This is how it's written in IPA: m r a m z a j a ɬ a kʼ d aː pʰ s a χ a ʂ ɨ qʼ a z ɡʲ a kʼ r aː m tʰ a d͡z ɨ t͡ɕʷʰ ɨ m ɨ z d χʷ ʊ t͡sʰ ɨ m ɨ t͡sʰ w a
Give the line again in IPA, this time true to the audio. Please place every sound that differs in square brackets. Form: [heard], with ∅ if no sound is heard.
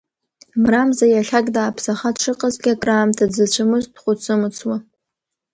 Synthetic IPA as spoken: m r a m z a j a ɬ a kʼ d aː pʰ s a χ a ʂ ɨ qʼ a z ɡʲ a kʼ r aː m tʰ a d͡z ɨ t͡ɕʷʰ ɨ m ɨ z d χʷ ʊ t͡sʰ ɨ m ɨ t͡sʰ w a